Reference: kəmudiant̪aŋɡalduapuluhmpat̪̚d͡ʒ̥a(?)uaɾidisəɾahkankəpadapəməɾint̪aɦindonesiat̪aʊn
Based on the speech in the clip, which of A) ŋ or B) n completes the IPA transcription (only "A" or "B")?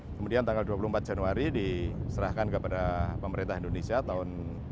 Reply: B